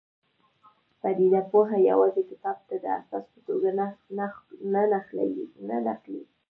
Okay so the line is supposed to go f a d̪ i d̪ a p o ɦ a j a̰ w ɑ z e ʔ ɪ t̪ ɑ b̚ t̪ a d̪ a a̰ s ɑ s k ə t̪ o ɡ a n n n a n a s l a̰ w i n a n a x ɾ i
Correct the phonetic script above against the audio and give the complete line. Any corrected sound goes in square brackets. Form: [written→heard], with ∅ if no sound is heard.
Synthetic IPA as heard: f a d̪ i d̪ a p o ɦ a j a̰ w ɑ z e [ʔ→k] ɪ t̪ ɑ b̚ t̪ a d̪ [a→ə] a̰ s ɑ s [k→p] ə t̪ o ɡ a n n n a n a [s→x] l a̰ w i n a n a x [ɾ→l] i